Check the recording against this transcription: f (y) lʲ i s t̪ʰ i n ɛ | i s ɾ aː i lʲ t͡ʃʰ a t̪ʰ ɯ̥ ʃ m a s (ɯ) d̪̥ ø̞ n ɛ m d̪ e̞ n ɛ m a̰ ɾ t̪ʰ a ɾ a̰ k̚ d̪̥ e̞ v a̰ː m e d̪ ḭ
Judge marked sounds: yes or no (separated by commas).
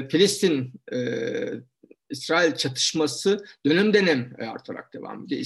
no, yes